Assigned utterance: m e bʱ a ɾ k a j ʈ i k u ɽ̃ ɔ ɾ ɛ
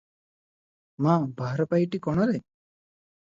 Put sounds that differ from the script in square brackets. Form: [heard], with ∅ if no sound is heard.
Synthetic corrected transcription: m [a] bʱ a ɾ [p] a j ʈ i k [ɔ] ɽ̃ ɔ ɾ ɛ